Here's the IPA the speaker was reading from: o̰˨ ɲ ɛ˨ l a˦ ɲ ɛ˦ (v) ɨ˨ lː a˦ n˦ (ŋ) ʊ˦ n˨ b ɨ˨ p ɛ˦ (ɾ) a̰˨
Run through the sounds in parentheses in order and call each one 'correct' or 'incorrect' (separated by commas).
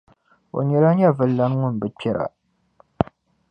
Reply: correct, correct, correct